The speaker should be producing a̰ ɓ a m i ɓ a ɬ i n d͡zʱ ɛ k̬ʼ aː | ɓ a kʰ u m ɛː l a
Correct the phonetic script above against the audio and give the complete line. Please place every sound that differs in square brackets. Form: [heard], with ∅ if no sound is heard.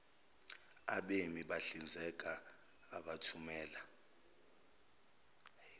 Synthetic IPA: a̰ ɓ [e] m i ɓ a ɬ i n d͡zʱ ɛ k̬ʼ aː | ɓ a [tʰ] u m ɛː l a